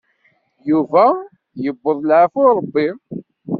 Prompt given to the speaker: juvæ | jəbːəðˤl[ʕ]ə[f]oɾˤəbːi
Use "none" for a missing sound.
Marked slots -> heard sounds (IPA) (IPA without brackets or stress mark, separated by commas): ʕ, f